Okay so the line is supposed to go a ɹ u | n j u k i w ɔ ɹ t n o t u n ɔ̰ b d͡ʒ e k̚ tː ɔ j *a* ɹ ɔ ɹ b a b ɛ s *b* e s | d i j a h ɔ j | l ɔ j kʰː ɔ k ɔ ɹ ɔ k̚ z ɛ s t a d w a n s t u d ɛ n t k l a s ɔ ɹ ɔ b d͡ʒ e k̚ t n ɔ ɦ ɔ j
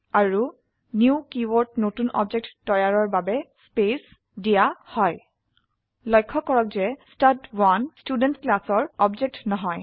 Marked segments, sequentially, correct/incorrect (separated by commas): correct, incorrect